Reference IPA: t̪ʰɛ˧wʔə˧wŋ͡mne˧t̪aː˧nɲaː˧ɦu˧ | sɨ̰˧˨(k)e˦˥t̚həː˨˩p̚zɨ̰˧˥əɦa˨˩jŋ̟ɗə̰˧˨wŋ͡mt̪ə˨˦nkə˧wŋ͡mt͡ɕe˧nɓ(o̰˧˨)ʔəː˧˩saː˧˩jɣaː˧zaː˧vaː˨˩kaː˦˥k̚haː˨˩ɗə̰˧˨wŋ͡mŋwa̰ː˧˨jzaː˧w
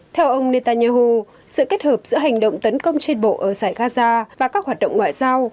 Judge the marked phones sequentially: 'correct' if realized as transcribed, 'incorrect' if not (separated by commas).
correct, correct